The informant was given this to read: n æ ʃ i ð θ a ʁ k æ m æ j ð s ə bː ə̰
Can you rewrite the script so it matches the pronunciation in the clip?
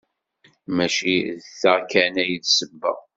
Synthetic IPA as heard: m æ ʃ i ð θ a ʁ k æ n æ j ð s ə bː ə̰

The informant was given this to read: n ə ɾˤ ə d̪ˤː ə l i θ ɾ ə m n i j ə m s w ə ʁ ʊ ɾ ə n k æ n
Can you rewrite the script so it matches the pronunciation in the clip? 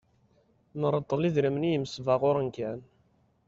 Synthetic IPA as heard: n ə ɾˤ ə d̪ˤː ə l i ð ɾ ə m n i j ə m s v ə ʁ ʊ ɾ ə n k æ n

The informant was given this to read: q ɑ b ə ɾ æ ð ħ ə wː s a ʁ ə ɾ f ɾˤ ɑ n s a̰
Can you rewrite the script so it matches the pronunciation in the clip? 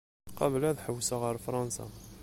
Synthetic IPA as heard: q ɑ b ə l æ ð ħ ə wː s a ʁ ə ɾ f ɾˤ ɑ n s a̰

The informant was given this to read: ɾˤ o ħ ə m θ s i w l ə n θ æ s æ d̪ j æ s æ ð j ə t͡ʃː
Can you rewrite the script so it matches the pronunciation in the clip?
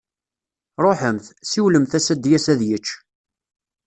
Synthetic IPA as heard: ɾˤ o ħ ə m θ s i w l ə m θ æ s æ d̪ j æ s æ ð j ə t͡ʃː

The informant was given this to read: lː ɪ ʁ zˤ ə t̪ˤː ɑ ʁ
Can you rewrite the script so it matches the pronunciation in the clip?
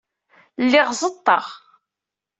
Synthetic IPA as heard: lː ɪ ʁ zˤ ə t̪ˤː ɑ ʁ

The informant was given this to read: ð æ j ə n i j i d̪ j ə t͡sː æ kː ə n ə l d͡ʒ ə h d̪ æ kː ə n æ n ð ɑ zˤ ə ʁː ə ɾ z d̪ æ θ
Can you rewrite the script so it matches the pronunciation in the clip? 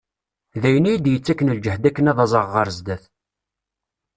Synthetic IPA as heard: ð æ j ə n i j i d̪ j ə t͡sː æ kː ə n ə l d͡ʒ ə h d̪ æ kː ə n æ ð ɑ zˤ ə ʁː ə ɾ z d̪ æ θ

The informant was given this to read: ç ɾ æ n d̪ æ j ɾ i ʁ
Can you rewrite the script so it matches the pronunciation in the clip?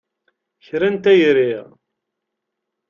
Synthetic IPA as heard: ç ɾ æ n t̪ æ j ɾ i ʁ

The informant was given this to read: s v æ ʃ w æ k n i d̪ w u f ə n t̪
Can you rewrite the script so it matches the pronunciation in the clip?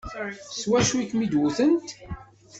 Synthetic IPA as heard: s w æ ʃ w i k m i d̪ w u θ ə n t̪

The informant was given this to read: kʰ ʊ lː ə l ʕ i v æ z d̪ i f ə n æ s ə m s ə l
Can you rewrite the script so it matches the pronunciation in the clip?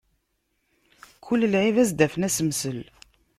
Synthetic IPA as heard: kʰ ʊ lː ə l ʕ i v æ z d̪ æ f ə n æ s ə m s ə l

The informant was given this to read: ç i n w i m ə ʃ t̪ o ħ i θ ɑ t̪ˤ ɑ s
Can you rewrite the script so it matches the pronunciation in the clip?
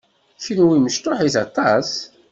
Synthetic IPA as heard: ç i n w i m ə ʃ t̪ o ħ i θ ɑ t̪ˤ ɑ s

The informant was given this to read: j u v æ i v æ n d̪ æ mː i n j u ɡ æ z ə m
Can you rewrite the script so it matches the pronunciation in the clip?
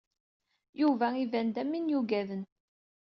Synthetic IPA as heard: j u v æ i v æ n d̪ æ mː i n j u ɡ æ ð ə n

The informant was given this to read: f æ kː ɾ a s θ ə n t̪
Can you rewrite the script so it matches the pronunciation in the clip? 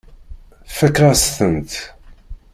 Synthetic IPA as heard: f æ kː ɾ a s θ ə n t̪

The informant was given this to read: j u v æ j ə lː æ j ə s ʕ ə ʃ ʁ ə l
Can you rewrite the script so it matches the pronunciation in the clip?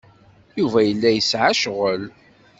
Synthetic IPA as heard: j u v æ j ə lː æ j ə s ʕ a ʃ ʁ ə l

